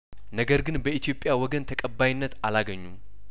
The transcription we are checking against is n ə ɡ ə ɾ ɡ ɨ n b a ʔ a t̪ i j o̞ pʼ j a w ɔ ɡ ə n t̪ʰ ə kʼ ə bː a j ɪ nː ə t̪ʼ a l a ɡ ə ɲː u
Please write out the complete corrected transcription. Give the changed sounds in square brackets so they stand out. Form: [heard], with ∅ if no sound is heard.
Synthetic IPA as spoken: n ə ɡ ə ɾ ɡ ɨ n b [ə] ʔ [i] t̪ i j o̞ pʼ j a w ɔ ɡ ə n t̪ʰ ə kʼ ə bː a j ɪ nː ə [t̪] a l a ɡ ə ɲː u